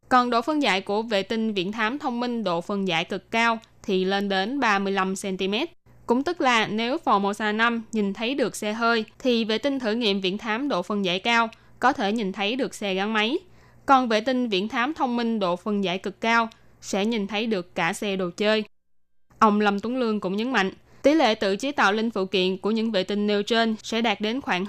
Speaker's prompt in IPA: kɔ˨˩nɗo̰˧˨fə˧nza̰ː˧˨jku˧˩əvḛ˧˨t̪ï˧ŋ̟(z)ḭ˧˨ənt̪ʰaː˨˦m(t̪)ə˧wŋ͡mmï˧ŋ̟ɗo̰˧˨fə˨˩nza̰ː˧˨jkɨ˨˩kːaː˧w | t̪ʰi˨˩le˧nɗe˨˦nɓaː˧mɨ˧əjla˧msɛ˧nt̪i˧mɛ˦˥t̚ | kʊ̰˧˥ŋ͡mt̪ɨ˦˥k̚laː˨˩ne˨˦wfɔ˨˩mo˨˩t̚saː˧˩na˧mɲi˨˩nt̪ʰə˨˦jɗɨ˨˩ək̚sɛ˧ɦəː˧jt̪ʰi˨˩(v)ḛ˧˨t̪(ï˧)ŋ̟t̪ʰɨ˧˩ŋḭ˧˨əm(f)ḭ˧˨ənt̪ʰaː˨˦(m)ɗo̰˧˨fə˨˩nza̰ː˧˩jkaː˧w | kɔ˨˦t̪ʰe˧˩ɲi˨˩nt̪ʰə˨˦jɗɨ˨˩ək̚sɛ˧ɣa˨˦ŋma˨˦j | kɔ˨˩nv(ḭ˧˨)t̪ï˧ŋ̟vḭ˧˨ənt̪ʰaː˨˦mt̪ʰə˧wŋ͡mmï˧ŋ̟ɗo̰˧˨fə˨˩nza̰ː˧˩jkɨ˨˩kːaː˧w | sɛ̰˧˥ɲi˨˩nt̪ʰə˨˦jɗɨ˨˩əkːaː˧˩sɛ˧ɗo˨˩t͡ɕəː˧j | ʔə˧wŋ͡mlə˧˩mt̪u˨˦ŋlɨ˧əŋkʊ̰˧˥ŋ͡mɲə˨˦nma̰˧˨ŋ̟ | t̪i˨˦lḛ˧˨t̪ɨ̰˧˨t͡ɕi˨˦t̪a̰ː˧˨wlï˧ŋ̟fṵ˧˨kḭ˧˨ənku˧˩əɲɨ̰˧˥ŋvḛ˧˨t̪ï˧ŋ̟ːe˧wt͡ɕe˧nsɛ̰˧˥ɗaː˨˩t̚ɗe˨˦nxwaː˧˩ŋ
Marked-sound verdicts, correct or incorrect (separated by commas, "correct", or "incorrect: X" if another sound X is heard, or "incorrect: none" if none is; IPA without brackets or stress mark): incorrect: v, incorrect: t̪ʰ, correct, correct, incorrect: v, correct, incorrect: ḛ˧˨